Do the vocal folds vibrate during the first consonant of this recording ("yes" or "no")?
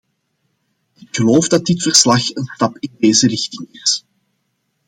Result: no